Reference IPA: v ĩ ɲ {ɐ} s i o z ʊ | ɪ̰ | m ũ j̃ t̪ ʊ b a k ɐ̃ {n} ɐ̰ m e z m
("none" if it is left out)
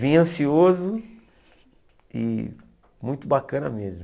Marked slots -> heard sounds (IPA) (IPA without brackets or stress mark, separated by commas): ɐ̃, n